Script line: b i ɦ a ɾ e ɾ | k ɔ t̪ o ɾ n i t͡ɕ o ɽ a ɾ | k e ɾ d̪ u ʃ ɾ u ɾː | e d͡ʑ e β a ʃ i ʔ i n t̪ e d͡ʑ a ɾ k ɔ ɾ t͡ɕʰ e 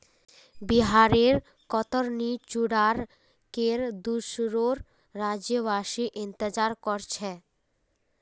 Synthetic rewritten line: b i ɦ a ɾ e ɾ | k ɔ t̪ o ɾ n i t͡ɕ u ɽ a ɾ | k e ɾ d̪ u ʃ ɾ o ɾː | a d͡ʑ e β a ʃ i ʔ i n t̪ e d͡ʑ a ɾ k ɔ ɾ t͡ɕʰ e